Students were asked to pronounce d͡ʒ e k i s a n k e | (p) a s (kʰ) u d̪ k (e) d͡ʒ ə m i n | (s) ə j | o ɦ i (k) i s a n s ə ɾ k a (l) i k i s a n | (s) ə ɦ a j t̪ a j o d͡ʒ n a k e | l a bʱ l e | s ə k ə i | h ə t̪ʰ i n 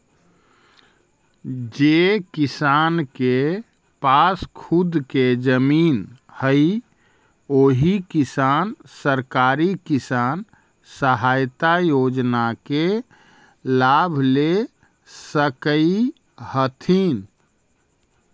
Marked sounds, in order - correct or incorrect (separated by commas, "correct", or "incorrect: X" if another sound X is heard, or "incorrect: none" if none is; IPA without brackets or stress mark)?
correct, correct, correct, incorrect: h, correct, incorrect: ɾ, correct